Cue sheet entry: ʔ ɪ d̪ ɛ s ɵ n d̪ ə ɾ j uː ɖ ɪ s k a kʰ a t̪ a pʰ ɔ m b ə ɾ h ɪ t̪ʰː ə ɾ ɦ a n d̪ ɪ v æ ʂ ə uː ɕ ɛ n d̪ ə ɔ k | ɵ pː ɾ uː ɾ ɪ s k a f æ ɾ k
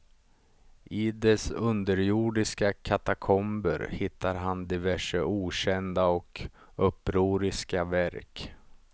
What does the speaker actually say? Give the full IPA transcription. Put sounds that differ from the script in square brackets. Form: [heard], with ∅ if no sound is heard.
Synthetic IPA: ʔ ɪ d̪ ɛ s ɵ n d̪ ə ɾ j uː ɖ ɪ s k a kʰ a t̪ a [kʰ] ɔ m b ə ɾ h ɪ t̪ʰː [a] ɾ ɦ a n d̪ ɪ v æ ʂ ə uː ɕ ɛ n d̪ [a] ɔ k | ɵ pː ɾ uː ɾ ɪ s k a [v] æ ɾ k